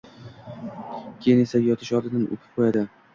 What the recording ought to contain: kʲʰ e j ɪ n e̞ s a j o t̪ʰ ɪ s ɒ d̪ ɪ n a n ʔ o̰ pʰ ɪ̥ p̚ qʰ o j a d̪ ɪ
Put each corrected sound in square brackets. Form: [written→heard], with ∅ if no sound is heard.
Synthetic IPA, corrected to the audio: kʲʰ e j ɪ n e̞ s a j [o→ɒ] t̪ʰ ɪ [s→ʃ] ɒ d̪ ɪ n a n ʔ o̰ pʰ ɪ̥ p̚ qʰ o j a d̪ ɪ